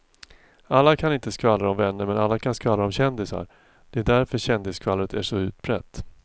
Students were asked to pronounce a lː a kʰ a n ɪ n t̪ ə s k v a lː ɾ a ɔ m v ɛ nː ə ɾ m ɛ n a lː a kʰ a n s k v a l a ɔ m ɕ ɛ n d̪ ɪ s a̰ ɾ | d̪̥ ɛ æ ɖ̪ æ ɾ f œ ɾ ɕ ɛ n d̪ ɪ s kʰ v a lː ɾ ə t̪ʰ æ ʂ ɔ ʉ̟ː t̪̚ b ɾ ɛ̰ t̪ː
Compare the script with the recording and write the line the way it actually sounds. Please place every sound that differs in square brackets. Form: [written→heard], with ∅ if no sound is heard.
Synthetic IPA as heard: a lː a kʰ a n ɪ n t̪ ə s k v a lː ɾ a ɔ m v ɛ nː ə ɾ m ɛ n a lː a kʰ a n s k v a l a ɔ m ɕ ɛ n d̪ ɪ s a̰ ɾ | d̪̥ ɛ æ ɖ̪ æ ɾ f œ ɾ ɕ ɛ n d̪ ɪ s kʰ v a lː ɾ ə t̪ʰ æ ʂ ɔ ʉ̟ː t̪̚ b ɾ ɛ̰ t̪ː